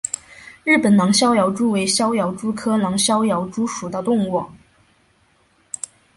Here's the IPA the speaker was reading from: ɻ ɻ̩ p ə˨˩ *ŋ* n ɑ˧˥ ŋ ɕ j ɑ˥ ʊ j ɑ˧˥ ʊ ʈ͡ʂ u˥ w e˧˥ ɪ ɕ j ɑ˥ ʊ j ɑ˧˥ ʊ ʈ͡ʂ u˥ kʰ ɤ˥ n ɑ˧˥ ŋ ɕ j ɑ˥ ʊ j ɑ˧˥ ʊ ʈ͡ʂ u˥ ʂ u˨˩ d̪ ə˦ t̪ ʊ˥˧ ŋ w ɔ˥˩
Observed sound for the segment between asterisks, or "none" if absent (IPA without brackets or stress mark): n